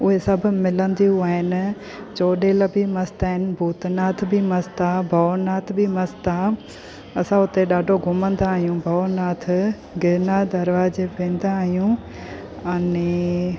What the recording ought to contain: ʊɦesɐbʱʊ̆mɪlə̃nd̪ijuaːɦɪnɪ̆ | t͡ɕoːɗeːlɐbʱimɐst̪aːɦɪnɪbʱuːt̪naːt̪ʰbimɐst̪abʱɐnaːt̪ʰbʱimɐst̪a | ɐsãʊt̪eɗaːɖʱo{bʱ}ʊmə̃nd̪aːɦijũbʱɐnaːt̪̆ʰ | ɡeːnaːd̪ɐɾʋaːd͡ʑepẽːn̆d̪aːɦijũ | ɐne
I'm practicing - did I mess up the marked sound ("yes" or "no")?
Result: yes